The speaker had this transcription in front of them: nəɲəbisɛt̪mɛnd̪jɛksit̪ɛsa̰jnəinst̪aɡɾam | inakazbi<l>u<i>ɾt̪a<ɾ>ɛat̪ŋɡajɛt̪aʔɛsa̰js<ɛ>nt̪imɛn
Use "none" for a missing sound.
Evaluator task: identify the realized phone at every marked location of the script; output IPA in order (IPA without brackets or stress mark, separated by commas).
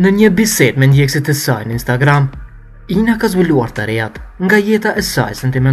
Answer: l, a, ɾ, ɛ